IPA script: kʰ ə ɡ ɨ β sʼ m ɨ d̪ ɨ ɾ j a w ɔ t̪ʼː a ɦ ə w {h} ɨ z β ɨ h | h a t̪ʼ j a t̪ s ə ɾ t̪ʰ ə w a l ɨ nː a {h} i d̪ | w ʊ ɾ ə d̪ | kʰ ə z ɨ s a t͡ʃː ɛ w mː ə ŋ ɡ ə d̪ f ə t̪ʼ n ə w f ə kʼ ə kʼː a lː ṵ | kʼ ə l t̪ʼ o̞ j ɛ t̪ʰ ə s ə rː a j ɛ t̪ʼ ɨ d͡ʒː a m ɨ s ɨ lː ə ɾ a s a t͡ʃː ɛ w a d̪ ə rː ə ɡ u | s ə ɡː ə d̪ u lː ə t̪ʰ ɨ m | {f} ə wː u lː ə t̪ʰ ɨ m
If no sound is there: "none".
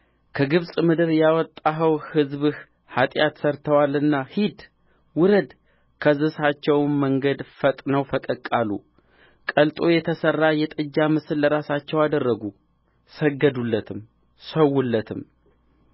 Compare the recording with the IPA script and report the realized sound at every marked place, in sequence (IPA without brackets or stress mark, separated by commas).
h, h, s